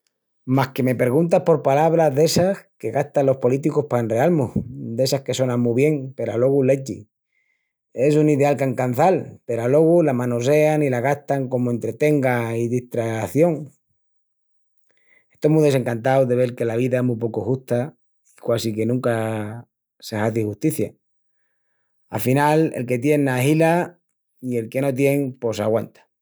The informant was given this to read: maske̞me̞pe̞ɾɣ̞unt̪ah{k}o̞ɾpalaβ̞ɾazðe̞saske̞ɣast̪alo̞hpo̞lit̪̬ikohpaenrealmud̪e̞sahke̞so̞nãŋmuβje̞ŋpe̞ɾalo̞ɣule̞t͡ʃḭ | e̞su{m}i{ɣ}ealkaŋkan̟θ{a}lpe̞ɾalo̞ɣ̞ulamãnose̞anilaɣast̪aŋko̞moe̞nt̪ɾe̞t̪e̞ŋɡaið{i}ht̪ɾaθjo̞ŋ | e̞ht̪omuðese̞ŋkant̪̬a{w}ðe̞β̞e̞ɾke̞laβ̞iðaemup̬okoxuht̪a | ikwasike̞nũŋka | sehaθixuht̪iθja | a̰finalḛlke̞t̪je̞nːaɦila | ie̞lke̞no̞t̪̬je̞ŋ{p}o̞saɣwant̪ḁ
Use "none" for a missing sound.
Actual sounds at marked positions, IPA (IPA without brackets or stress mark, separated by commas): p, n, ð, a, i, w, p